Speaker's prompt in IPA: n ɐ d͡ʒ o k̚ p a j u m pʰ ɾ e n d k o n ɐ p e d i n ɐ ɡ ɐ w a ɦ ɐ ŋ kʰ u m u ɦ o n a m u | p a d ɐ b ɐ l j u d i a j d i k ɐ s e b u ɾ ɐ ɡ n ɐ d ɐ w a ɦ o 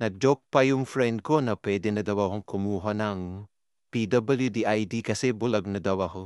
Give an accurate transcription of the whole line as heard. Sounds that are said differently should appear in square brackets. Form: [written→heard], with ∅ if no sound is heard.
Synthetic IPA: n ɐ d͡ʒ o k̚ p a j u m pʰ ɾ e n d k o n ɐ p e d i n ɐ [ɡ→d] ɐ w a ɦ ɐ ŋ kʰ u m u ɦ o n a [m→ŋ] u | p [a→i] d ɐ b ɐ l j u d i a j d i k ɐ s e b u [ɾ→l] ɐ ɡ n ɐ d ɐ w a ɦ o